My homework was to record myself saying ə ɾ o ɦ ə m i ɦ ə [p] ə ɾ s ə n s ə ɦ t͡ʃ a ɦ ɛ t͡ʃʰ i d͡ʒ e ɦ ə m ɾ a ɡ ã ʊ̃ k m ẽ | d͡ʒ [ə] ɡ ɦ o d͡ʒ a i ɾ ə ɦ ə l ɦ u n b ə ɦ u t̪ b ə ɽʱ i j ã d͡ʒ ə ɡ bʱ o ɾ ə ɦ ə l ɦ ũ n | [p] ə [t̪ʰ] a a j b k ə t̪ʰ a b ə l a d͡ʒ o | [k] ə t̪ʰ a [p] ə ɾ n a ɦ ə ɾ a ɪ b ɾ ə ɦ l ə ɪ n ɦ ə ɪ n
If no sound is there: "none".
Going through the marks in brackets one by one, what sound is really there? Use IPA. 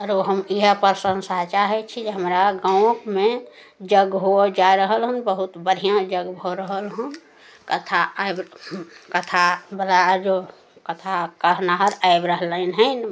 p, ə, k, t̪ʰ, k, k

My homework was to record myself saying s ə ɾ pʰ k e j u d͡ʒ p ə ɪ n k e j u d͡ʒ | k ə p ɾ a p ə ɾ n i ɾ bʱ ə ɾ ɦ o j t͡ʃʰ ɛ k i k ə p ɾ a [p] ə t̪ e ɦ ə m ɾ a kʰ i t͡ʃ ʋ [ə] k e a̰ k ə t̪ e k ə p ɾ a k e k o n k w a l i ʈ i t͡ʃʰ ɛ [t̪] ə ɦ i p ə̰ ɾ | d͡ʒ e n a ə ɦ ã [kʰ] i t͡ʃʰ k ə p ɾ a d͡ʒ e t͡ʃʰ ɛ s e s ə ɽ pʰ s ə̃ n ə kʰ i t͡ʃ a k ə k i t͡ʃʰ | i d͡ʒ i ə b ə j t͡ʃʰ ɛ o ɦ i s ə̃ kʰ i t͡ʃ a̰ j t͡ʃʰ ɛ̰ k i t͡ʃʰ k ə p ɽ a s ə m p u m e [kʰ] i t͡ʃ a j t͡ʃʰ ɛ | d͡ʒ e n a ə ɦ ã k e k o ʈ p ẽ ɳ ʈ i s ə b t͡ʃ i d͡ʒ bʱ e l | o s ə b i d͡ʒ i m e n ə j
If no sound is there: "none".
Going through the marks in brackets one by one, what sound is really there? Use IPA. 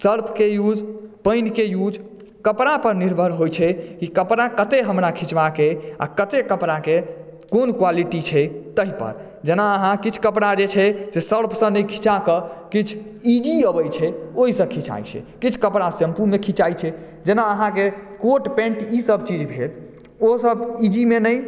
k, a, t̪, k, kʰ

